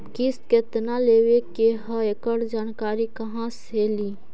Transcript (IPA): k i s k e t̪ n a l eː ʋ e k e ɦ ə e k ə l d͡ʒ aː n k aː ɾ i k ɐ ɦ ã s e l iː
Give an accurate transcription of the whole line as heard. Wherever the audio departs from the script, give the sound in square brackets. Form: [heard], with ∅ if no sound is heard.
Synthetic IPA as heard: k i s k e t̪ n a l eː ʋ e k e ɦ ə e k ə [ɽ] d͡ʒ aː n k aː ɾ i k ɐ ɦ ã s e l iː

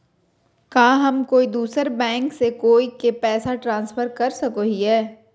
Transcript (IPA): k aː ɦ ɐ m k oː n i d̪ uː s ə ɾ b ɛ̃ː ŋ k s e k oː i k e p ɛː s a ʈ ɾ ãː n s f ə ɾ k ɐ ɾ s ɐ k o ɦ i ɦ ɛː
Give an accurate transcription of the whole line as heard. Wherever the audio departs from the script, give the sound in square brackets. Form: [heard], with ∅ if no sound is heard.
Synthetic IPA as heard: k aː ɦ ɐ m k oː [∅] i d̪ uː s ə ɾ b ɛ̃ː ŋ k s e k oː i k e p ɛː s a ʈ ɾ ãː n s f ə ɾ k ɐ ɾ s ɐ k o ɦ i ɦ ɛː

